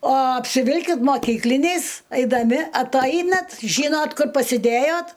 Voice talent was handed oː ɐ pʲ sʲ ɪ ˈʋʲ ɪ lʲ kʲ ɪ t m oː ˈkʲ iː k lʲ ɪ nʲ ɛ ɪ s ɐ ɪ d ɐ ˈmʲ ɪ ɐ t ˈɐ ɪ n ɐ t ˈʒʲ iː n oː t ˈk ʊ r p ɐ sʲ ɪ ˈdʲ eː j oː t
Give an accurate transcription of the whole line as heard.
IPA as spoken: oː ɐ pʲ sʲ ɪ ˈʋʲ ɪ lʲ kʲ ɪ t m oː ˈkʲ iː k lʲ ɪ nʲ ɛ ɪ s ɐ ɪ d ɐ ˈmʲ ɪ ɐ t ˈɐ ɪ n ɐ t ˈʒʲ iː n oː t ˈk ʊ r p ɐ sʲ ɪ ˈdʲ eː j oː t